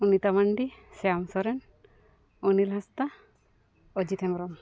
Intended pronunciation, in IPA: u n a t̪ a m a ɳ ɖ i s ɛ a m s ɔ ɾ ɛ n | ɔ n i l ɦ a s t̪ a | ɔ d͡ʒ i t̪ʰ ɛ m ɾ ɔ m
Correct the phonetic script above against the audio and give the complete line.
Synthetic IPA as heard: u n i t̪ a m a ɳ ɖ i s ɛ a m s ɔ ɾ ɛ n | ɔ n i l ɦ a s t̪ a | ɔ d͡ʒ i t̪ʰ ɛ m ɾ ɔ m